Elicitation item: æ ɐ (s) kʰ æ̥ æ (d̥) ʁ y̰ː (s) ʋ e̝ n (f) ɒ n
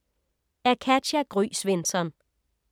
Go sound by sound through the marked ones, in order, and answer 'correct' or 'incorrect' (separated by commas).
incorrect, incorrect, correct, incorrect